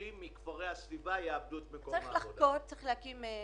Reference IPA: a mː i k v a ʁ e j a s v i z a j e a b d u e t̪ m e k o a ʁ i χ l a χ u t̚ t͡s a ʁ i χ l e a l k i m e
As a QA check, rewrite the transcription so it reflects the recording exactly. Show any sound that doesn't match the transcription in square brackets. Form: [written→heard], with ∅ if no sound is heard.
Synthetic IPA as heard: [a→i] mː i k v a ʁ e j a s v i [z→v] a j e a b d u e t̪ m e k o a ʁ i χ l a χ [u→o] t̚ t͡s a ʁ i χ l e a [l→∅] k i m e